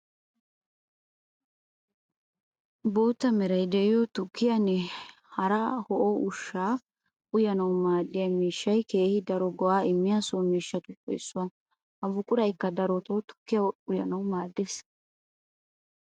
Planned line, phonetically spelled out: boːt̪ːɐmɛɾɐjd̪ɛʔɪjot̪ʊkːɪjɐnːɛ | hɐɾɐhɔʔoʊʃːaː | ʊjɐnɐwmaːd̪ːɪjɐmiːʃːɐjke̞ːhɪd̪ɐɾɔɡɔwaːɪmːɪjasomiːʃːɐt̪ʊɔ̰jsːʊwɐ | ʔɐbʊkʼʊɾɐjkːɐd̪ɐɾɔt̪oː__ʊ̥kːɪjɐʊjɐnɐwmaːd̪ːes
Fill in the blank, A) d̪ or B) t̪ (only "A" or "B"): B